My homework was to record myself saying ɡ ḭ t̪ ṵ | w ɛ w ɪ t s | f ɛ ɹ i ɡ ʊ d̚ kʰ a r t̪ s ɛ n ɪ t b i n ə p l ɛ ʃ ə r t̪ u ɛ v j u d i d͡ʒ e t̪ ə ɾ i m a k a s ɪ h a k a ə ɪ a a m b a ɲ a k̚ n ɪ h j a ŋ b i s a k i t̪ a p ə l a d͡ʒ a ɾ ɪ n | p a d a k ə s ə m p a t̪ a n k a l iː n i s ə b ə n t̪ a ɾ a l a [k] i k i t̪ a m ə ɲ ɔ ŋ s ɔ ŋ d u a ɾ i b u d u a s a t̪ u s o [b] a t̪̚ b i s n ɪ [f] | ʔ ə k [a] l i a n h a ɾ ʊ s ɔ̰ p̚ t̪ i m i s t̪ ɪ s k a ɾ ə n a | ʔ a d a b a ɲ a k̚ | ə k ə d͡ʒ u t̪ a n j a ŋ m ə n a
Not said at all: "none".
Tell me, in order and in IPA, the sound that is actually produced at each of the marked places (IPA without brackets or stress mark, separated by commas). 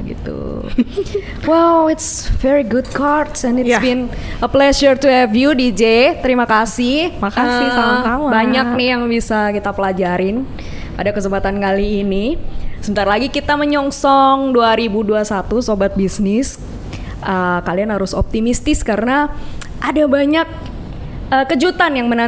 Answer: ɡ, b, s, a